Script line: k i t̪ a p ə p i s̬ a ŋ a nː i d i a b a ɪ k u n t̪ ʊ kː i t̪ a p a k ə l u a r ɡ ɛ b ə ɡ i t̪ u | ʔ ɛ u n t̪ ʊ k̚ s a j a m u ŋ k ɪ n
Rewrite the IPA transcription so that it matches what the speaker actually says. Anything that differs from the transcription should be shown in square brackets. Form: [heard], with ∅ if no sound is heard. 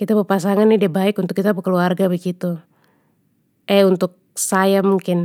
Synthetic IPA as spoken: k i t̪ a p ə p [a] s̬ a ŋ a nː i d i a b a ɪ k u n t̪ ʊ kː i t̪ a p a k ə l u a r ɡ [a] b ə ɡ i t̪ u | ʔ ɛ u n t̪ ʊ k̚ s a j a m u ŋ k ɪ n